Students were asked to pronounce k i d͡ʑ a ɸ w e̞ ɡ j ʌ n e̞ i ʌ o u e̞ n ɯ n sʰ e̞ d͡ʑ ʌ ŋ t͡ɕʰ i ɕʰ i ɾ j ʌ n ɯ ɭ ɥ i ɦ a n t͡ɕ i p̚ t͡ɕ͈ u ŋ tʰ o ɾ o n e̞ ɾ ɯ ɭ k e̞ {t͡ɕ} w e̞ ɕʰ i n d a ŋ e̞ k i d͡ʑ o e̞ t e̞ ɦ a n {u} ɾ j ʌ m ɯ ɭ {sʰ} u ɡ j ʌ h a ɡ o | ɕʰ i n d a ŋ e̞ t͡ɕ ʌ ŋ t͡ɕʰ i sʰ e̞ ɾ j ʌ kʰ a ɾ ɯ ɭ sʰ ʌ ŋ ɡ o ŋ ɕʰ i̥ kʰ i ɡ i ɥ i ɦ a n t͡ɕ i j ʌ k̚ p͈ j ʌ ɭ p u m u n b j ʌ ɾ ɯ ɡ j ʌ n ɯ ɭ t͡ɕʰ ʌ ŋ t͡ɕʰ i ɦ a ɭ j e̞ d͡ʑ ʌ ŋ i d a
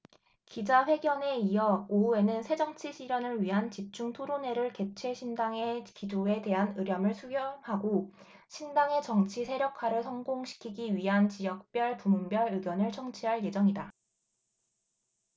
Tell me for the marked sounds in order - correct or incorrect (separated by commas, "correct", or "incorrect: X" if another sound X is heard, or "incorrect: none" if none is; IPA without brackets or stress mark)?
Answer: incorrect: t͡ɕʰ, incorrect: ɯ, correct